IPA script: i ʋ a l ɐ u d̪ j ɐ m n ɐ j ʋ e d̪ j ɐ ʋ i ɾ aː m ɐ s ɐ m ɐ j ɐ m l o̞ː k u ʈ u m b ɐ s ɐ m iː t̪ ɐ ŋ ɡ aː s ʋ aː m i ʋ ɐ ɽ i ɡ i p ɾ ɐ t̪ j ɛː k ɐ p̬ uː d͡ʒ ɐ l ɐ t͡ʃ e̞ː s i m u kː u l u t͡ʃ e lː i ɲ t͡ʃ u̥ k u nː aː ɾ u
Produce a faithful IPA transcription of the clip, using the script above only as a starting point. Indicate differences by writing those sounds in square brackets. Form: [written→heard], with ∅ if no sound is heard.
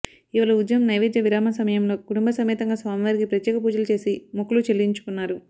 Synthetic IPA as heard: i ʋ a l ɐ u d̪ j ɐ m n ɐ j ʋ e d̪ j ɐ ʋ i ɾ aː m ɐ s ɐ m ɐ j ɐ m l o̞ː k u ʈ u m b ɐ s ɐ m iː t̪ ɐ ŋ ɡ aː s ʋ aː m i ʋ ɐ [ɽ→ɾ] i ɡ i p ɾ ɐ t̪ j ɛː k ɐ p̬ uː d͡ʒ ɐ l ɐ t͡ʃ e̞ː s i m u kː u l u t͡ʃ e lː i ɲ t͡ʃ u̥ k u nː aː ɾ u